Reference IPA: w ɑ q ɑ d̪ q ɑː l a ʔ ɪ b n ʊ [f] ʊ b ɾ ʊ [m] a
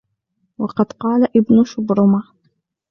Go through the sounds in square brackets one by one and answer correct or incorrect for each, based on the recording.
incorrect, correct

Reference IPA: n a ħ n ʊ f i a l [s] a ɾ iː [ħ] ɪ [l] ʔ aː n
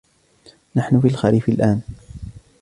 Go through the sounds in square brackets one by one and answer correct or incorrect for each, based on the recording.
incorrect, incorrect, correct

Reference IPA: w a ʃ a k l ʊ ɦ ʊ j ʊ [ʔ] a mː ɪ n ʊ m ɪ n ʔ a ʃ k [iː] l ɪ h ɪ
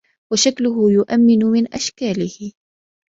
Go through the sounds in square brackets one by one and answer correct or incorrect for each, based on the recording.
correct, incorrect

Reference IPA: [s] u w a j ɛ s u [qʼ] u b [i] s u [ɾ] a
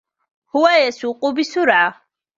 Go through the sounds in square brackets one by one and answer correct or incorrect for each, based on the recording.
incorrect, correct, correct, correct

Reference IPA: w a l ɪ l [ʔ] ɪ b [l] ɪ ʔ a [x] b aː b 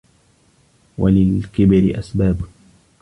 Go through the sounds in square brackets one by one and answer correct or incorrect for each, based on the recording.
incorrect, incorrect, incorrect

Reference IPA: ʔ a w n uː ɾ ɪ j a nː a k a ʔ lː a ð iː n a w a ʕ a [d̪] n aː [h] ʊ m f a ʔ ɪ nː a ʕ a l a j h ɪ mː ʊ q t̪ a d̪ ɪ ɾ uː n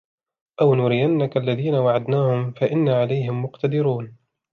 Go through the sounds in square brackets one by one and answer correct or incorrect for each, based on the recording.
correct, correct

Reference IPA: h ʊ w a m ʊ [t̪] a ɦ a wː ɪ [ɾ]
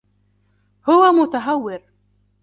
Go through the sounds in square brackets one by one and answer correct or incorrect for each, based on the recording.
correct, correct

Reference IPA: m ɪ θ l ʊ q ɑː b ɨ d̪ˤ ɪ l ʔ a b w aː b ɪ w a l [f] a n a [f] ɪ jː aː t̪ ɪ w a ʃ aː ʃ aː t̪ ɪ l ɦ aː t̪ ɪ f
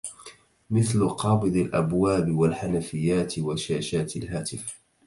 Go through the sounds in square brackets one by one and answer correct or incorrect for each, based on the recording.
incorrect, correct

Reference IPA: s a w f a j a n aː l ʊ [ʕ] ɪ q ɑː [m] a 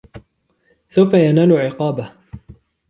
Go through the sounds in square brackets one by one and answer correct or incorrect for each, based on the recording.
correct, incorrect

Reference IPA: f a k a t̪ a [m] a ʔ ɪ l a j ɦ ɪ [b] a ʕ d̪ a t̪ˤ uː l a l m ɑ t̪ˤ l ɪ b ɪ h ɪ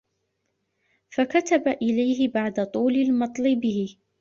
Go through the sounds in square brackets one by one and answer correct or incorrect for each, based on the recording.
incorrect, correct

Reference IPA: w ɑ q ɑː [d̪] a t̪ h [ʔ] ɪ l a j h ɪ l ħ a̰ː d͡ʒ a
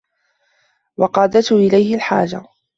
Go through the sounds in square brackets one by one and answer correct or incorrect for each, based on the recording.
correct, correct

